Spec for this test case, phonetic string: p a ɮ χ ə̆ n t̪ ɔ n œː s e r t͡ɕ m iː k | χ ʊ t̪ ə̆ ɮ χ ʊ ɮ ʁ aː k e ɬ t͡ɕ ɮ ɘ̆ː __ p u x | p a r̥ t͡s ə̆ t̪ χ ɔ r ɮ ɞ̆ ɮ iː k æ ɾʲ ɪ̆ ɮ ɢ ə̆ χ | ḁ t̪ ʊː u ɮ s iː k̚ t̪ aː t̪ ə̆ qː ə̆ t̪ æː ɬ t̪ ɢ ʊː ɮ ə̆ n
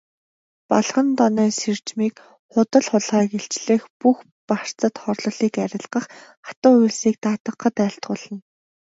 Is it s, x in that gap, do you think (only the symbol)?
x